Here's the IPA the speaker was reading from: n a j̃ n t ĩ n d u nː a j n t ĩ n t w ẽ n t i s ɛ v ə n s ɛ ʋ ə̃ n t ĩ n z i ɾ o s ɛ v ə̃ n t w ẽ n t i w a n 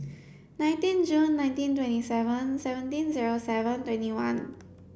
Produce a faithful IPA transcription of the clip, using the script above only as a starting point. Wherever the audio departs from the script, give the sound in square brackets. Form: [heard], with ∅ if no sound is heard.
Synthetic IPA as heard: n a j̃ n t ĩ n [d͡ʒ] u nː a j n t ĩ n t w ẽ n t i s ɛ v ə n s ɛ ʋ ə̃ n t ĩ n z i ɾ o s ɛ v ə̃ n t w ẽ n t i w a n

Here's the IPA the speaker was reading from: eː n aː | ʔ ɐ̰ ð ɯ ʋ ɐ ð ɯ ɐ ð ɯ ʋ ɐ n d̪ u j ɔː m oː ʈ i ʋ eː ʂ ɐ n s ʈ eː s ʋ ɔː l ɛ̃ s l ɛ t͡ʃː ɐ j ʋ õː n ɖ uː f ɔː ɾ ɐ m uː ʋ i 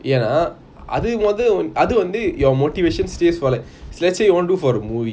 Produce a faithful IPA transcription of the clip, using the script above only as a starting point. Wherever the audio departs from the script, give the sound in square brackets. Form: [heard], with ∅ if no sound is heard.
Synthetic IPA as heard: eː n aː | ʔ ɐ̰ ð ɯ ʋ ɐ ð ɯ ɐ ð ɯ ʋ ɐ n d̪ [ɯ] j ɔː m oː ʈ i ʋ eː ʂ ɐ n s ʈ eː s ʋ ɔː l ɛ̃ s l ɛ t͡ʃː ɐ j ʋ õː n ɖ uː f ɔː ɾ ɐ m uː ʋ i

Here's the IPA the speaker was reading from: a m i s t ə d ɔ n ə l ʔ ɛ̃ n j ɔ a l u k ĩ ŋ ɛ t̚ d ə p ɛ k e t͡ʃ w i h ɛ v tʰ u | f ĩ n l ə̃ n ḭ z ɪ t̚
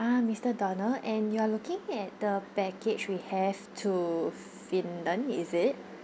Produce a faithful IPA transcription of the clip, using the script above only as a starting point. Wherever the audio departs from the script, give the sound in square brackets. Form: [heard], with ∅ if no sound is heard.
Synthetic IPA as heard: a m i s t ə d ɔ n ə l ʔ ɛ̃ n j [u] a l u k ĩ ŋ ɛ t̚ d ə p ɛ k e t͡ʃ w i h ɛ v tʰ u | f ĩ n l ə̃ n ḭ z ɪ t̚

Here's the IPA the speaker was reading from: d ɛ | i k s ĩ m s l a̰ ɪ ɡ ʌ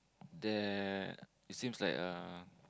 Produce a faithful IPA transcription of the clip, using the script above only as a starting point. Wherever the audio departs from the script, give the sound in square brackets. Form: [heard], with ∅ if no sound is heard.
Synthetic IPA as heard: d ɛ | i [t] s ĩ m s l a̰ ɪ [k] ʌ

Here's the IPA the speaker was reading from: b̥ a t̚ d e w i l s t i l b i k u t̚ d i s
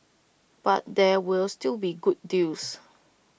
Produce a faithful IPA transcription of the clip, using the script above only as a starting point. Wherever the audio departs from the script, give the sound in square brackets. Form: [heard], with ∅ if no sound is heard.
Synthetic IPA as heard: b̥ a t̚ d [ɛ] w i l s t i l b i [ɡ] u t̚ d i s

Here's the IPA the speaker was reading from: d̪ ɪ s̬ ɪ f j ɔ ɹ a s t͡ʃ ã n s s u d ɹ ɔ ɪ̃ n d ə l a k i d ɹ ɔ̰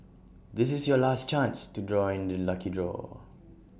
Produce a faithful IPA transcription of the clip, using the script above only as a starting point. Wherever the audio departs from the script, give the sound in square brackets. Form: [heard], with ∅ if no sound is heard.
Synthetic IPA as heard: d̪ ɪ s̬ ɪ [s] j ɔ [l] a s t͡ʃ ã n s [t] u d ɹ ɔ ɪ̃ n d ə l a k i d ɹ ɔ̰

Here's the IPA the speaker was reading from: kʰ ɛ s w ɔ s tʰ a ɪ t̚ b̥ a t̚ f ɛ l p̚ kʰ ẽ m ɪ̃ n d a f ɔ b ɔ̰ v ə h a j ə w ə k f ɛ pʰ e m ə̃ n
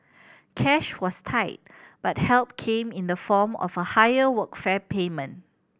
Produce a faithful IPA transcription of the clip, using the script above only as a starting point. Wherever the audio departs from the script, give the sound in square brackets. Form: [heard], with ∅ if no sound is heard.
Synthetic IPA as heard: kʰ ɛ [ʃ] w ɔ s tʰ a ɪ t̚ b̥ a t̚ [h] ɛ l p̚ kʰ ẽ m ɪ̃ n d [ə] f ɔ [m] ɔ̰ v ə h a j ə w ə k f ɛ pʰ e m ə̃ n

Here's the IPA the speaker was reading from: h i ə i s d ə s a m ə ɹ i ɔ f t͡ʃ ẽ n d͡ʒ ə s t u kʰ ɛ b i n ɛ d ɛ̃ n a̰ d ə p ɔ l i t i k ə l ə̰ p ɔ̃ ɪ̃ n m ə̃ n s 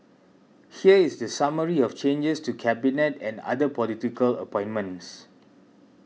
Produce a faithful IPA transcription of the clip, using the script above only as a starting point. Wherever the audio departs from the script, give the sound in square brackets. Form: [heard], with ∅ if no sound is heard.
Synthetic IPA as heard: h i ə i s d ə s a m ə ɹ i ɔ f t͡ʃ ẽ n d͡ʒ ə s t u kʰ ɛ b i n ɛ [t] ɛ̃ n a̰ d ə p ɔ l i t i k ə l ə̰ p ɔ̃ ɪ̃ n m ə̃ n s

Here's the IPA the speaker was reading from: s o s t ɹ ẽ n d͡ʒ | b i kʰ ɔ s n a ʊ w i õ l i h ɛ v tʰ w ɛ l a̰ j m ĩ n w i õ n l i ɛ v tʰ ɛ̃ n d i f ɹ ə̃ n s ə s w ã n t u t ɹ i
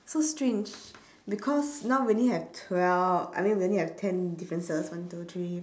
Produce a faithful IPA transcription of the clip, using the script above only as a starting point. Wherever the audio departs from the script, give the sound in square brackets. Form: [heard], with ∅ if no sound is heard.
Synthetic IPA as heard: s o s t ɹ ẽ n d͡ʒ | b i kʰ ɔ s n a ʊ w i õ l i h ɛ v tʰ w ɛ l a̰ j m ĩ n w i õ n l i ɛ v tʰ ɛ̃ n d i f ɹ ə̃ n s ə s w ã n t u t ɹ i

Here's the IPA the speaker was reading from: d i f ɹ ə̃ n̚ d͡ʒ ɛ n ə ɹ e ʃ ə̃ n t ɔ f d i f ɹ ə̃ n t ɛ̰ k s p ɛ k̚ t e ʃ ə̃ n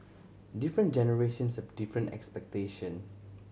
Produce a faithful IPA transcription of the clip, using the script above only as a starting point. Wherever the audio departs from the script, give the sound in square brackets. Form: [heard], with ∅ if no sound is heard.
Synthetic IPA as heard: d i f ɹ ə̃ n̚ d͡ʒ ɛ n ə ɹ e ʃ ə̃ n [s] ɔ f d i f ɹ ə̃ n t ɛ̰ k s p ɛ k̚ t e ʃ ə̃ n

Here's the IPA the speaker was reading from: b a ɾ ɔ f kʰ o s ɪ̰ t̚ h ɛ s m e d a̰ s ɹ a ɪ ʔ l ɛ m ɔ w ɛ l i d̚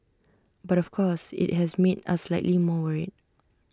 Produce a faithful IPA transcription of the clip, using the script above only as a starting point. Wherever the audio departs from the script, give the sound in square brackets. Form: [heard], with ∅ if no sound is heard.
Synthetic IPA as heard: b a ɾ ɔ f kʰ [ɔ] s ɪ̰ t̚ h ɛ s m e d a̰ s [l] a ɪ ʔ l [i] m ɔ w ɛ [ɹ] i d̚

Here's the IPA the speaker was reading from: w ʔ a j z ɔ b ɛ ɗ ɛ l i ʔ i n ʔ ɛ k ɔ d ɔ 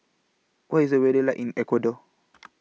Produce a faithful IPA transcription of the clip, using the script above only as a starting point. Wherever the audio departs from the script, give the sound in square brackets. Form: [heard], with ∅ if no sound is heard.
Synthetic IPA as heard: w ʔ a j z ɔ [w] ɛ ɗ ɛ l [a] ʔ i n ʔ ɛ k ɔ d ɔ

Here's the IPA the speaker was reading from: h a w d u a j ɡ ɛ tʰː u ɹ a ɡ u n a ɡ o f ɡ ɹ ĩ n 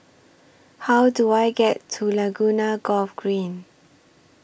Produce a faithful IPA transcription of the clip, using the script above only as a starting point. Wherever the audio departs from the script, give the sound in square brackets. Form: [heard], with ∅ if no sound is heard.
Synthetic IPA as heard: h a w d u a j ɡ ɛ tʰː u [l] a ɡ u n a ɡ [ɔ] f ɡ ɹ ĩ n

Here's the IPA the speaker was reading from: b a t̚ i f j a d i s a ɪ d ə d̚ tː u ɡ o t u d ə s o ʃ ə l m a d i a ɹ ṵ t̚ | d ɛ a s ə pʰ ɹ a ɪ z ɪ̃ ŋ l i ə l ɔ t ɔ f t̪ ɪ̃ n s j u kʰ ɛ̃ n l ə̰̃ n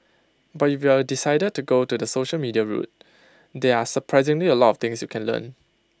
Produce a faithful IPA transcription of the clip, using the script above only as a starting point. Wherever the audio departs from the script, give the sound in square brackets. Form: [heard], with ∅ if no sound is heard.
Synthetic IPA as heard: b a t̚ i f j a d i s a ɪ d ə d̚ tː u ɡ o t u d ə s o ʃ ə l m [i] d i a ɹ ṵ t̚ | d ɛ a s ə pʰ ɹ a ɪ z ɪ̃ ŋ l i ə l ɔ t ɔ f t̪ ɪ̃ [ŋ] s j u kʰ ɛ̃ n l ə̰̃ n

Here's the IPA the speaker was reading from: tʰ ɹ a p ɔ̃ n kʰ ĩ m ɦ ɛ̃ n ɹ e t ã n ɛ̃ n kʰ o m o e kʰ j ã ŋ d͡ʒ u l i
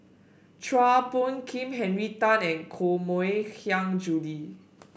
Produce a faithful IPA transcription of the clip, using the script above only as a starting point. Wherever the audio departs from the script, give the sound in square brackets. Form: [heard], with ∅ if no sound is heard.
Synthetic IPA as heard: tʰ ɹ a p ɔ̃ n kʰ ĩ m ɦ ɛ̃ n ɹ [i] t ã n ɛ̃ n kʰ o m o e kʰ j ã ŋ d͡ʒ u l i

